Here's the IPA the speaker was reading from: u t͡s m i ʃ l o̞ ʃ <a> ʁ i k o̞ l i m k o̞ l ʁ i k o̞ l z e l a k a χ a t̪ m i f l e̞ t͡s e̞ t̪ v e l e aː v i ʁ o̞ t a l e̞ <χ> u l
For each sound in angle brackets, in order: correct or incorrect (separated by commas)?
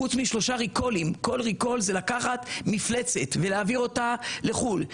correct, correct